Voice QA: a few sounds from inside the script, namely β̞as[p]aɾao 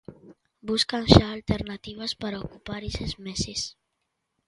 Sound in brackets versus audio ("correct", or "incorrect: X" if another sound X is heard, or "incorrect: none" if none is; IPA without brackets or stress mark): correct